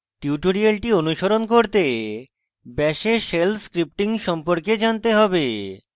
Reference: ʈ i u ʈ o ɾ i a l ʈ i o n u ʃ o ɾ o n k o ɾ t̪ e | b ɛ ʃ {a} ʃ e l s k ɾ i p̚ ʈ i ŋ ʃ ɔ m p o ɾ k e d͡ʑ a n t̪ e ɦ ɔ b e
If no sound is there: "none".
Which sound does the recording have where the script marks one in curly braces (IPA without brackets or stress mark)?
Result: e